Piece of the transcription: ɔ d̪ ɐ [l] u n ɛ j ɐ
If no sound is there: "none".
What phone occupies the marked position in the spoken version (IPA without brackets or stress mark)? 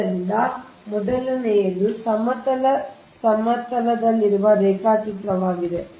l